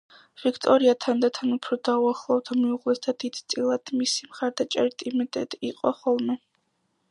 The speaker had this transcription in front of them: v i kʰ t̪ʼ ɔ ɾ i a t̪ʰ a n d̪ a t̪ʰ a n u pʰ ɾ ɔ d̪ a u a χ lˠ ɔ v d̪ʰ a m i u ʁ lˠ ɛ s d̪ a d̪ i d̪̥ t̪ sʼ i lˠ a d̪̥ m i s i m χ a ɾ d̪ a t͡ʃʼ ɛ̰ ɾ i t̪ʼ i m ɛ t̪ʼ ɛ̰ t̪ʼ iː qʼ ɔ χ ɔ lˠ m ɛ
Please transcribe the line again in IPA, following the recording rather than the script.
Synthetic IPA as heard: v i kʰ t̪ʼ ɔ ɾ i a t̪ʰ a n d̪ a t̪ʰ a n u pʰ ɾ ɔ d̪ a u a χ lˠ ɔ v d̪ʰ a m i u ʁ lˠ ɛ s d̪ a d̪ i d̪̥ t̪ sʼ i lˠ a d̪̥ m i s i m χ a ɾ d̪ a t͡ʃʼ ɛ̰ ɾ i t̪ʼ i m ɛ t̪ʼ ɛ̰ t̪ʼ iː qʼ ɔ χ ɔ lˠ m ɛ